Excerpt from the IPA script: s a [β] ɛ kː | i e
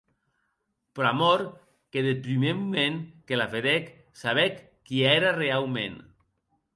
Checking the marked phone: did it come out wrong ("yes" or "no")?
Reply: no